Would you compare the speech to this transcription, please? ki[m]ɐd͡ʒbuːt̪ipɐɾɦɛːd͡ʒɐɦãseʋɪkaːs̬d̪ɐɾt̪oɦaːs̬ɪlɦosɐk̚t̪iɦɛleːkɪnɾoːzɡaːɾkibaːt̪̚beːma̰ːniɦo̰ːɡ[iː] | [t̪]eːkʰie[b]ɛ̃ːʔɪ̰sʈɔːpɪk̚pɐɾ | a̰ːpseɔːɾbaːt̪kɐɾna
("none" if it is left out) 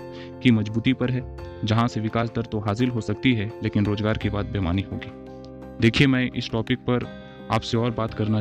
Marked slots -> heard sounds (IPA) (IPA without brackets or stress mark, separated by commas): m, iː, d̪, m